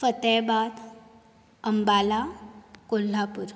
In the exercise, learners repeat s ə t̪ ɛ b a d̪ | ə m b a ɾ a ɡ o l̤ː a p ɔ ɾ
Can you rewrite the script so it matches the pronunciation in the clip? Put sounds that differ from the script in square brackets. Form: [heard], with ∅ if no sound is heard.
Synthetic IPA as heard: [f] ə t̪ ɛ b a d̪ | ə m b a [l] a [k] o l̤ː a p [u] ɾ